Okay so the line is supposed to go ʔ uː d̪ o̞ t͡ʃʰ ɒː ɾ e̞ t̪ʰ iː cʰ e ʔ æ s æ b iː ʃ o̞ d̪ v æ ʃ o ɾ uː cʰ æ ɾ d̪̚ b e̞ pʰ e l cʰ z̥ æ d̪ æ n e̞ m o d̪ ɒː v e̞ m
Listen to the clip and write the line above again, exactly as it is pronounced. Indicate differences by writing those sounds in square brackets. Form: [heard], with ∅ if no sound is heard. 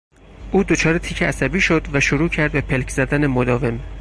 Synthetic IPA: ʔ uː d̪ o̞ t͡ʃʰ ɒː ɾ e̞ t̪ʰ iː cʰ e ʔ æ s æ b iː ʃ o̞ d̪ v æ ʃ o ɾ uː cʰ æ ɾ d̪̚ b e̞ pʰ e l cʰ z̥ æ d̪ æ n e̞ m o d̪ ɒː v e̞ m